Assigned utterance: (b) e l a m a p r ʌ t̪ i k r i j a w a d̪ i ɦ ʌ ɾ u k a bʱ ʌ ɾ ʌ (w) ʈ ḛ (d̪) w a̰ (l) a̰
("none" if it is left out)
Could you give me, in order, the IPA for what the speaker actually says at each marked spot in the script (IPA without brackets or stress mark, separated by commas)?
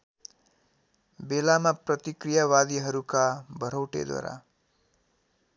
b, w, d̪, ɾ